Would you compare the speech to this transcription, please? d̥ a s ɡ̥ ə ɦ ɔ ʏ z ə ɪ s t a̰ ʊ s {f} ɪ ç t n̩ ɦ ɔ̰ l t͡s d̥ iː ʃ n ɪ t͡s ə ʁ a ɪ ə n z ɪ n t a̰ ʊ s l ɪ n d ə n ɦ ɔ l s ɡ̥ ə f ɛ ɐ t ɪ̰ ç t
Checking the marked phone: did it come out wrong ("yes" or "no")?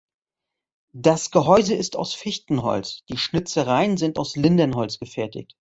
no